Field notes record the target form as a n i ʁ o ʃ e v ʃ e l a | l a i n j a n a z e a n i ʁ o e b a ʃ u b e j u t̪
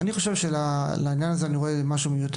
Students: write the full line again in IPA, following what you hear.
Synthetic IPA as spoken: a n i χ o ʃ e v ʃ e l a | l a i n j a n a z e a n i ʁ o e m a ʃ u m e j u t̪